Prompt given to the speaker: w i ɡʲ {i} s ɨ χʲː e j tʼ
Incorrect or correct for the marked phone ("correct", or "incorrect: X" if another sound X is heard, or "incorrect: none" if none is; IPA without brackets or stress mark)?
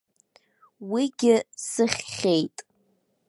incorrect: ɪ